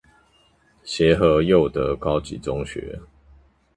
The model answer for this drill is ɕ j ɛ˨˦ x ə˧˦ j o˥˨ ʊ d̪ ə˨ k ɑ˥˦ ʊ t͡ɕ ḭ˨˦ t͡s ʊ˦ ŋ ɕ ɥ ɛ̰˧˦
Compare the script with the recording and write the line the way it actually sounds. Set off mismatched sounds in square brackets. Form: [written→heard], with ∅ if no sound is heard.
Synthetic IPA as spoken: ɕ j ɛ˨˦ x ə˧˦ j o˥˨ ʊ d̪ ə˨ k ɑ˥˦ ʊ t͡ɕ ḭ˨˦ t͡s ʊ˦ ŋ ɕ ɥ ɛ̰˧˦